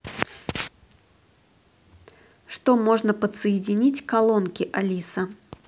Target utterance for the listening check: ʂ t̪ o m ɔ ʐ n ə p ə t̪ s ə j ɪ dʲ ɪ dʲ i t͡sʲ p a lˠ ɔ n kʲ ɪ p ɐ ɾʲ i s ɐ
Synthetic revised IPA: ʂ t̪ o m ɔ ʐ n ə p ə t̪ s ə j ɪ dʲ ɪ nʲ i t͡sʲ k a lˠ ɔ n kʲ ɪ ʔ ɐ lʲ i s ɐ